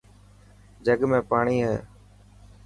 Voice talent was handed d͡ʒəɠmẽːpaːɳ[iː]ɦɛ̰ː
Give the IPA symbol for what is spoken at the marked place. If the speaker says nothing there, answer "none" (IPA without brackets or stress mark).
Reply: iː